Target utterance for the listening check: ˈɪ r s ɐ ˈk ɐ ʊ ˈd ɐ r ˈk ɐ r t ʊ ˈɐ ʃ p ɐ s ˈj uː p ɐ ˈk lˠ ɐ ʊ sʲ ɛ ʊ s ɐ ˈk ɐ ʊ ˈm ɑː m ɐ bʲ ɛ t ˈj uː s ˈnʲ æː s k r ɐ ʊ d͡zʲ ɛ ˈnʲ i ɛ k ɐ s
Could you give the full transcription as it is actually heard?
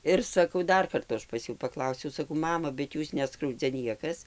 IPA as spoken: ˈɪ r s ɐ ˈk ɐ ʊ ˈd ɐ r ˈk ɐ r t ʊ ˈɐ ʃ p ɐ s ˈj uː p ɐ ˈk lˠ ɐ ʊ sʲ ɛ ʊ s ɐ ˈk ɐ ʊ ˈm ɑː m ɐ bʲ ɛ t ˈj uː s ˈnʲ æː s k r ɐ ʊ d͡zʲ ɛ ˈnʲ i ɛ k ɐ s